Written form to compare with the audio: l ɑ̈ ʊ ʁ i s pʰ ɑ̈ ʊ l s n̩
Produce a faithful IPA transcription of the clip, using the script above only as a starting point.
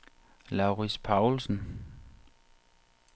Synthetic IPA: l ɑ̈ ʊ ʁ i s pʰ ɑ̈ ʊ l s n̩